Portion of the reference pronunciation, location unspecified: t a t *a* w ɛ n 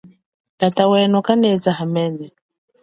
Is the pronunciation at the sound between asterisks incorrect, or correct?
correct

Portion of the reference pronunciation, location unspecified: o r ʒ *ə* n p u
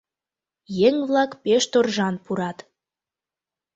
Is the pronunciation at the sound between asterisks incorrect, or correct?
incorrect: ɑ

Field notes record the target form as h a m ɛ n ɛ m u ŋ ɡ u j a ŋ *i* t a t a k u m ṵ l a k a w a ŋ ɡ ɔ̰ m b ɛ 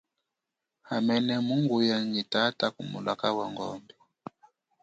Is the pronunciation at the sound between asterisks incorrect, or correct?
correct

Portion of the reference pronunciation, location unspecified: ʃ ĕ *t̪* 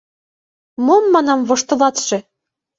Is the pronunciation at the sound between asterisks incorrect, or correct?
incorrect: none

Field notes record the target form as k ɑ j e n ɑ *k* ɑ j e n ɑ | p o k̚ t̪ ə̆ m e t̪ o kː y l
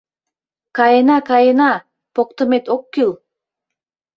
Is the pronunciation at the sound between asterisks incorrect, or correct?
correct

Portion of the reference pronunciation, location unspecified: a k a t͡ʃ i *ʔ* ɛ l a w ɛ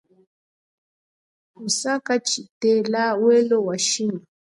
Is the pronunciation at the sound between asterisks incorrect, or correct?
incorrect: t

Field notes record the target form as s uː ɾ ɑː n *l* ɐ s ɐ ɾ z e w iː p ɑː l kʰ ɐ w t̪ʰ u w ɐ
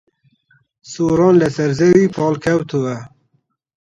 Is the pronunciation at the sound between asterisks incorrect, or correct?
correct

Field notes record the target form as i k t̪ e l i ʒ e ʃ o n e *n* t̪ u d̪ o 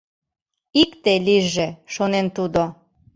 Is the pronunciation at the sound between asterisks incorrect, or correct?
correct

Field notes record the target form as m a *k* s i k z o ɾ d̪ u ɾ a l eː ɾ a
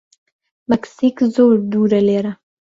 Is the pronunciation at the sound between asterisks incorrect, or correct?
correct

